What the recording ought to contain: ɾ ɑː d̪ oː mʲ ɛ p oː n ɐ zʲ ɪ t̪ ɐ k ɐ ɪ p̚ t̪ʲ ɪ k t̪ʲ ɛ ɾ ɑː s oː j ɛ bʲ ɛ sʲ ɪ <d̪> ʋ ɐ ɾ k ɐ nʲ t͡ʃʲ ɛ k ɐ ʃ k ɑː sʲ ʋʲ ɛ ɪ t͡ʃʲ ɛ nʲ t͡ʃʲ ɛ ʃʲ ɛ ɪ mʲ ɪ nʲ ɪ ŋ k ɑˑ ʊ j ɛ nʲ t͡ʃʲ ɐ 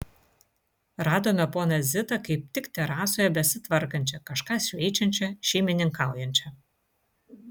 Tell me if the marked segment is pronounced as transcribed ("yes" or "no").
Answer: no